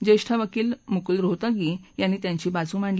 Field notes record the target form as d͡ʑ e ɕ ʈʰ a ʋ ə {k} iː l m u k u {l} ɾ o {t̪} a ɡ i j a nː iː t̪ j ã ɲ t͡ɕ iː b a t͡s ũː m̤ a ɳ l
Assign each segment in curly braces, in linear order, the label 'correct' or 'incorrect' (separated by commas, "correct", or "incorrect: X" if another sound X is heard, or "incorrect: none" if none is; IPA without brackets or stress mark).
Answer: correct, correct, correct